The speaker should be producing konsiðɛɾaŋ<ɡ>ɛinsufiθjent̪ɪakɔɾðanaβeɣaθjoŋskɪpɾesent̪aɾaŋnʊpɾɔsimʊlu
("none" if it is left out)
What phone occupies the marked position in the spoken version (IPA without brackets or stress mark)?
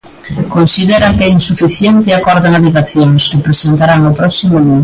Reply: k